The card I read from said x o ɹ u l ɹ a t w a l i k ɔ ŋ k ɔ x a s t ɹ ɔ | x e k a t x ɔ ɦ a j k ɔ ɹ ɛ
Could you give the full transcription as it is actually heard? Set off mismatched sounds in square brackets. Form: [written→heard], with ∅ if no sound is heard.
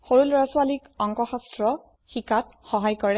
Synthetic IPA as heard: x o ɹ u l ɹ a [t→s] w a l i k ɔ ŋ k ɔ x a s t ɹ ɔ | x [e→i] k a t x ɔ ɦ a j k ɔ ɹ ɛ